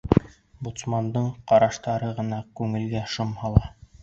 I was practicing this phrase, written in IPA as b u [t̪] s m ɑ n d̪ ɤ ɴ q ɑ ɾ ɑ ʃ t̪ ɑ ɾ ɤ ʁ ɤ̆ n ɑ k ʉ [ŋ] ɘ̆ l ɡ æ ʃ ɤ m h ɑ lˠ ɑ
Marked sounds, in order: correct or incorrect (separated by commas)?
correct, correct